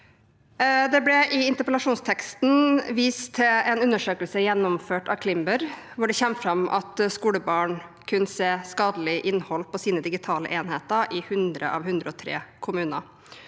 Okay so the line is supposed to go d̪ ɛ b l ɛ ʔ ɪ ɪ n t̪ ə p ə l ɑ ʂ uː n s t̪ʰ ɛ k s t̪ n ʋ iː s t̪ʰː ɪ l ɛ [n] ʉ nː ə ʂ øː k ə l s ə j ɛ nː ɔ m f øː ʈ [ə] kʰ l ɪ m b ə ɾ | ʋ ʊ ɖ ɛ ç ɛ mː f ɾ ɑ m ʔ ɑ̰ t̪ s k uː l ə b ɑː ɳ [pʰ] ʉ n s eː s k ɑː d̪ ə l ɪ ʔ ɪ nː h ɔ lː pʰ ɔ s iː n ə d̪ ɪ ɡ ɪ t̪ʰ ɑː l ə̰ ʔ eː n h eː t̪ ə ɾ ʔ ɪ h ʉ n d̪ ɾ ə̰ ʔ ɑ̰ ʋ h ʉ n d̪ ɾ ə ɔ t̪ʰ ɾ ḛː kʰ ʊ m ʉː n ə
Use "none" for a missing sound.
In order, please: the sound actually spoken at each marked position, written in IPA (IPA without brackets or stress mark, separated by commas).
n, ɑ, kʰ